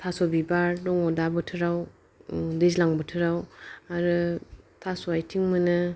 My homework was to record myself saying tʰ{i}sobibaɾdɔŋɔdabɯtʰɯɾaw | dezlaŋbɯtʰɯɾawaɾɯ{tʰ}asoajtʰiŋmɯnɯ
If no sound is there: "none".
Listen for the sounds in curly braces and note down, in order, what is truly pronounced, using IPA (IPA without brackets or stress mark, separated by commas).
a, tʰ